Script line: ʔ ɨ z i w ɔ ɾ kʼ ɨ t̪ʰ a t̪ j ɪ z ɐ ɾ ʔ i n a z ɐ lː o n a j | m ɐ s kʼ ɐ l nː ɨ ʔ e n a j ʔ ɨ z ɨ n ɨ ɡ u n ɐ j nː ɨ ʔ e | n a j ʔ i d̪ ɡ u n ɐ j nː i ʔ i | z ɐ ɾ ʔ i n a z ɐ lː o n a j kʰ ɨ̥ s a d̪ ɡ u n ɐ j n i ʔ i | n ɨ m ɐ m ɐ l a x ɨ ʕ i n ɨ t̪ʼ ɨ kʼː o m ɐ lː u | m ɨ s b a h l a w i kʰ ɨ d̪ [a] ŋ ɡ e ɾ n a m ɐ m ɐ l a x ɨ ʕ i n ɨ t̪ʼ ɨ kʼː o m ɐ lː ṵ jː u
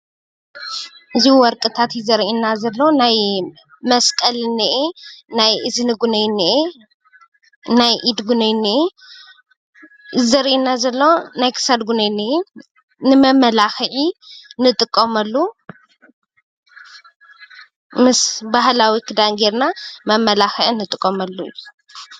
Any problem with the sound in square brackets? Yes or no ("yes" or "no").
no